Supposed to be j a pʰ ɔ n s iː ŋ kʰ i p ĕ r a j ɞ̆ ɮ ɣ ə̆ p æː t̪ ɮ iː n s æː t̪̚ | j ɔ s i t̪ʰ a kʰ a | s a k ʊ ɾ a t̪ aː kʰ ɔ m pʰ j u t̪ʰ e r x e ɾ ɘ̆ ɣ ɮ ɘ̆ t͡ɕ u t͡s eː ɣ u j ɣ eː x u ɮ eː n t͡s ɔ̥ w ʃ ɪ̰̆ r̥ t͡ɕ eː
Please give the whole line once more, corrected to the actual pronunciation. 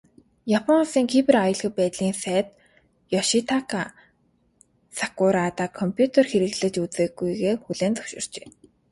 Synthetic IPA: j a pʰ ɔ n s iː ŋ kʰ i p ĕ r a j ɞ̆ ɮ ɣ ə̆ p æː t̪ ɮ iː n s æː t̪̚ | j ɔ ʃ i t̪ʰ a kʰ a | s a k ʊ ɾ a t̪ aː kʰ ɔ m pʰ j u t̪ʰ e r x e ɾ ɘ̆ ɣ ɮ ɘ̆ t͡ɕ u t͡s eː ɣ u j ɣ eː x u ɮ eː n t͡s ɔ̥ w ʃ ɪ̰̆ r̥ t͡ɕ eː